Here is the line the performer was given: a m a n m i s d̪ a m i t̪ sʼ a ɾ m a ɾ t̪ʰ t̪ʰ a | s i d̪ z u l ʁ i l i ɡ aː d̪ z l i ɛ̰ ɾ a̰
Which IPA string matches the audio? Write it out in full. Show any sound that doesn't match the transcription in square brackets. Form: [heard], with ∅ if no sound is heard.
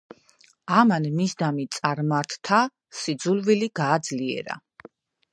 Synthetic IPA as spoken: a m a n m i s d̪ a m i t̪ sʼ a ɾ m a ɾ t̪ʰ t̪ʰ a | s i d̪ z u l [v] i l i ɡ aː d̪ z l i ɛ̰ ɾ a̰